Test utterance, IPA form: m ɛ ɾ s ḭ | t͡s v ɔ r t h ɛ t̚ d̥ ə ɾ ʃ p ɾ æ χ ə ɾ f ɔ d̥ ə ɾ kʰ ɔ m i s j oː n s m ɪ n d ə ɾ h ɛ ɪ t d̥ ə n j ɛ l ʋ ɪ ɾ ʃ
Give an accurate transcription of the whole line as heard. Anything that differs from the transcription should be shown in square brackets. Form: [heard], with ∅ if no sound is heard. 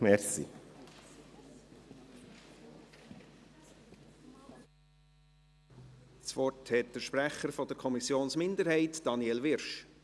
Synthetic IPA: m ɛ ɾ s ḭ | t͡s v ɔ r t h ɛ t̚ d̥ ə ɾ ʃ p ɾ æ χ ə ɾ f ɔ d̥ ə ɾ kʰ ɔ m i s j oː n s m ɪ n d ə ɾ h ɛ ɪ t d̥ [ɑ] n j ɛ l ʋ ɪ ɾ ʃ

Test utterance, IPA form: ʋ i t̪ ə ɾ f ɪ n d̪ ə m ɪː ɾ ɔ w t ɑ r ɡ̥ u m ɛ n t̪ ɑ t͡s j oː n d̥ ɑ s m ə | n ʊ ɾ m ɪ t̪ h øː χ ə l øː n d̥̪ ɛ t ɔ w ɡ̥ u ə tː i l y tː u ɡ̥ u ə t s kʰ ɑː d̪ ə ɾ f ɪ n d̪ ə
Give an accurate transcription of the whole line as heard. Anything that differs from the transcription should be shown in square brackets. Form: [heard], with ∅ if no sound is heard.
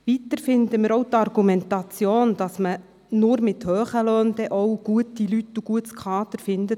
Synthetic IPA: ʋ i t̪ ə ɾ f ɪ n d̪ ə m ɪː ɾ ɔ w t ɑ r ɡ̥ u m ɛ n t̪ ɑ t͡s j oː n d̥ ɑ s m ə | n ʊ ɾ m ɪ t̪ h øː χ ə l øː n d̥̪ ɛ [ʔ] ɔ w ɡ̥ u ə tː i l y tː u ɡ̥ u ə t s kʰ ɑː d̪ ə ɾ f ɪ n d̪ ə

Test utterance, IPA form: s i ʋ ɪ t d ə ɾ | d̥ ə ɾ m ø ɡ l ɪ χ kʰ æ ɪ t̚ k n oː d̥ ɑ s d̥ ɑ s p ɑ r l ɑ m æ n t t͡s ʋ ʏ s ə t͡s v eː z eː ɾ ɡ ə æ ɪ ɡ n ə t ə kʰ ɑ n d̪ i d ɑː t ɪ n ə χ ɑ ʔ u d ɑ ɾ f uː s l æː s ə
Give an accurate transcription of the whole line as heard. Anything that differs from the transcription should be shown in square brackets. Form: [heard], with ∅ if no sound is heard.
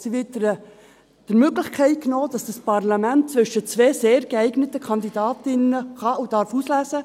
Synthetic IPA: s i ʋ ɪ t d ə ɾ | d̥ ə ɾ m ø ɡ l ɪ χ kʰ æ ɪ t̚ k n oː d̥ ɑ s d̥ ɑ s p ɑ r l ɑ m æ n t t͡s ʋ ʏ [ʃ] ə t͡s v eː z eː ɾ ɡ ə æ ɪ ɡ n ə t ə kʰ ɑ n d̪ i d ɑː t ɪ n ə χ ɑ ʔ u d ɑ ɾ f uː s l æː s ə

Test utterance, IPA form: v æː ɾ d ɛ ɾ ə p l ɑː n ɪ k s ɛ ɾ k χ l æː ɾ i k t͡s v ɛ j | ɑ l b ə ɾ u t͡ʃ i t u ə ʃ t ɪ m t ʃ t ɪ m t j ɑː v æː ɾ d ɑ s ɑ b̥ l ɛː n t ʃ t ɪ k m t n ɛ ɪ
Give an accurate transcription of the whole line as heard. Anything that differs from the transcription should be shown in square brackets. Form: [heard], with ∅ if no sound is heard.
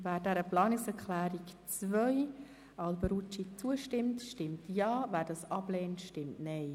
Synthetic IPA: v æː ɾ d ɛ ɾ ə p l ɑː n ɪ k s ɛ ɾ k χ l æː ɾ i k t͡s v [œ] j | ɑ l b ə ɾ u t͡ʃ i [t͡s] u ə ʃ t ɪ m t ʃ t ɪ m t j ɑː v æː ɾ d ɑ s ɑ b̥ l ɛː n t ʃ t ɪ [∅] m t n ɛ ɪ

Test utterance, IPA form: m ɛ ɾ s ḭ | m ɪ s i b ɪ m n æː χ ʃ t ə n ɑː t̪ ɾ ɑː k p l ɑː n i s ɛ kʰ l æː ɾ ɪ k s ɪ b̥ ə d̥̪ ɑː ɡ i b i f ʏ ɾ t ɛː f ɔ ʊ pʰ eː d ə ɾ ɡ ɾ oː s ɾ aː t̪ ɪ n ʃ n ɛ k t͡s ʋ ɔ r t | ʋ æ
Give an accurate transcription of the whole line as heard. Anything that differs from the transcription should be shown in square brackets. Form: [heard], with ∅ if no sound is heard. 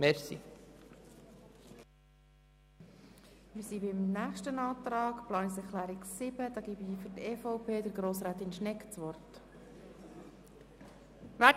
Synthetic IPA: m ɛ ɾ s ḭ | m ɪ s i b ɪ m n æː χ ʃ t ə n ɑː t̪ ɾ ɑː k p l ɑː n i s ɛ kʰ l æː ɾ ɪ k s ɪ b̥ ə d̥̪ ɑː ɡ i b i f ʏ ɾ t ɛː f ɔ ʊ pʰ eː d ə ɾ ɡ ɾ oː s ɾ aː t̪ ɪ n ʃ n ɛ k t͡s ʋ ɔ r t | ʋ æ

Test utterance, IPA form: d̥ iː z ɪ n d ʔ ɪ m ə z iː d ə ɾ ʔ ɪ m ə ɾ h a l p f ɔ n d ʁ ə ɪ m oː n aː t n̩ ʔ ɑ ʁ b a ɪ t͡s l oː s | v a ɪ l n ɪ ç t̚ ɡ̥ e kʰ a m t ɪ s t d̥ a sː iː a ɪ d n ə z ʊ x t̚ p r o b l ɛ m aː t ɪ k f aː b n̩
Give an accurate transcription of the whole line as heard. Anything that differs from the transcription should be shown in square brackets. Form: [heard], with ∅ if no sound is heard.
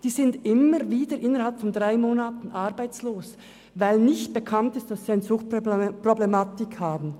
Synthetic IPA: d̥ iː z ɪ n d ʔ ɪ m ə [v] iː d ə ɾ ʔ ɪ [n] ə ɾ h a l p f ɔ n d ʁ [a] ɪ m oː n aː t n̩ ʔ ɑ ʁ b a ɪ t͡s l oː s | v a ɪ l n ɪ ç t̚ [b̥] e kʰ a [n] t ɪ s t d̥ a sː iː a ɪ [∅] n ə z ʊ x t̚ p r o b l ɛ m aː t ɪ k [h] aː b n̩

